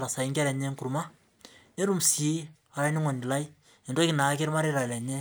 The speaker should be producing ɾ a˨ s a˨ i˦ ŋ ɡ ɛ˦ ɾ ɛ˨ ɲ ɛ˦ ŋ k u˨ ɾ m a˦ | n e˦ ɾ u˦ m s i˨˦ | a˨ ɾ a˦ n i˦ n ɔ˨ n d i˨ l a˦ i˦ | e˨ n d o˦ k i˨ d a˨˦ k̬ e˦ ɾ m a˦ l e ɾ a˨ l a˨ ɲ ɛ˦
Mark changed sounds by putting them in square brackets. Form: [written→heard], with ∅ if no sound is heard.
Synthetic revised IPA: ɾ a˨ s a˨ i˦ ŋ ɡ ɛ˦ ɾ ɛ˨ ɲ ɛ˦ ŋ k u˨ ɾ m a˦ | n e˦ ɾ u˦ m s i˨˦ | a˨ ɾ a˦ n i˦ [n→ŋ] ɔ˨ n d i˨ l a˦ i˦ | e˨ n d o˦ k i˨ [d→n] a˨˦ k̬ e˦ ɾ m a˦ [l→ɾ] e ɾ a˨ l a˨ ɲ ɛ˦

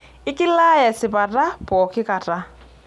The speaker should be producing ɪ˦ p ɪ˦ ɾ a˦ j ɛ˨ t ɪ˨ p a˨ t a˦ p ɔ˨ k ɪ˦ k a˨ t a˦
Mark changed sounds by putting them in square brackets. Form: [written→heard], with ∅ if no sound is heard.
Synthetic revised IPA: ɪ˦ [p→k] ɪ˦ [ɾ→l] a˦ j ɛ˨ [t→s] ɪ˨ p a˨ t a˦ p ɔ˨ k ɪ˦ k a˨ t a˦

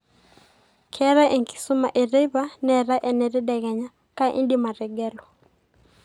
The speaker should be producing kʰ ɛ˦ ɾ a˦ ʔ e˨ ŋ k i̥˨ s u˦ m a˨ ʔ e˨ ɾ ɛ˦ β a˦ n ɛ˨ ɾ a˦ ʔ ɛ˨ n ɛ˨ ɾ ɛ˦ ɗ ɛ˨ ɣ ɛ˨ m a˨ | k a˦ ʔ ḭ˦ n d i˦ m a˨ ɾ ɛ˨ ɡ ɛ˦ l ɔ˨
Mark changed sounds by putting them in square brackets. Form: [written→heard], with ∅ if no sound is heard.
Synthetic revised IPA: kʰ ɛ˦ ɾ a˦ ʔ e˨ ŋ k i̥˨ s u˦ m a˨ ʔ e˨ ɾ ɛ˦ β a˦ n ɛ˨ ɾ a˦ ʔ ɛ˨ n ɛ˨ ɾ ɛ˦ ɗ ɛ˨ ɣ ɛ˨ [m→ɲ] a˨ | k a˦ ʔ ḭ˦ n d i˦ m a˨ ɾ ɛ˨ ɡ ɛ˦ l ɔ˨

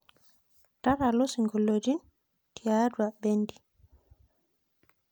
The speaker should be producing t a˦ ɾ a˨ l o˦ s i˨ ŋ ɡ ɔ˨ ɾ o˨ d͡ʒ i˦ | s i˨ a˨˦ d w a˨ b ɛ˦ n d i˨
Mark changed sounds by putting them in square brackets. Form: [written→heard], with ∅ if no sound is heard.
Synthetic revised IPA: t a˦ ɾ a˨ l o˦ s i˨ ŋ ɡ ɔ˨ [ɾ→l] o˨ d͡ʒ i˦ | [s→t] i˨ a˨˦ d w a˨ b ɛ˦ n d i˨

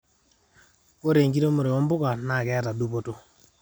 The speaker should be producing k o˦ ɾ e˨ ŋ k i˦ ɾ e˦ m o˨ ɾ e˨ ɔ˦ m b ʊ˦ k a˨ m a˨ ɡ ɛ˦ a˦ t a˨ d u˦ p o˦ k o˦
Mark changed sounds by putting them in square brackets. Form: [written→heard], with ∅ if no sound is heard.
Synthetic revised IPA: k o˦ ɾ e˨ ŋ [k→ɡ] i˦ ɾ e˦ m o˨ ɾ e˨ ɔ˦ m b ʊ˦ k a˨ [m→n] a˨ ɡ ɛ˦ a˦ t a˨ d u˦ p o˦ [k→t] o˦

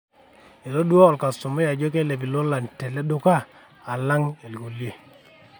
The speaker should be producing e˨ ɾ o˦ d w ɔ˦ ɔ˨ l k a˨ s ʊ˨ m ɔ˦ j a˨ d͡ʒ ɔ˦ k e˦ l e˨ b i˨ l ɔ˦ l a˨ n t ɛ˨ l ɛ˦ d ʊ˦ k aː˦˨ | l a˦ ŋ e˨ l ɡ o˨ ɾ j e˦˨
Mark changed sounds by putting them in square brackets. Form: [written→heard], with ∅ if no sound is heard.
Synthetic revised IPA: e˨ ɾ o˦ d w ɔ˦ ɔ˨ l k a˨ s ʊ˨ m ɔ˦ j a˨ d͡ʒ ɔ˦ k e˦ l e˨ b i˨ l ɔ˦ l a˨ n t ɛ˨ l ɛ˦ d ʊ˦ k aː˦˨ | l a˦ ŋ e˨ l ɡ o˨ [ɾ→l] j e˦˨

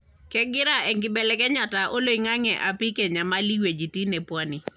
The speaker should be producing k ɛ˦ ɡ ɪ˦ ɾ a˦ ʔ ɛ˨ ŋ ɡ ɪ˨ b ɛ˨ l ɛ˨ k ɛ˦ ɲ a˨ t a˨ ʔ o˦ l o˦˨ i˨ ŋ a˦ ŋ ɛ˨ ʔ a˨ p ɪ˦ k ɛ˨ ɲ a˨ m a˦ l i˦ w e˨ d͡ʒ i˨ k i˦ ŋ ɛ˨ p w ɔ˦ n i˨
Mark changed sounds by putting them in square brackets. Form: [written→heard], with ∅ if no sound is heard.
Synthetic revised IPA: k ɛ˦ ɡ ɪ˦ ɾ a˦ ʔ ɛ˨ ŋ ɡ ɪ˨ b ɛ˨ l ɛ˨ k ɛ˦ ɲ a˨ t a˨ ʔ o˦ l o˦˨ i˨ ŋ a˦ ŋ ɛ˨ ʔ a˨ p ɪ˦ k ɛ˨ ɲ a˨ m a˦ l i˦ w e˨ d͡ʒ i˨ [k→t] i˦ [ŋ→n] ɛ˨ p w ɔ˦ n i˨

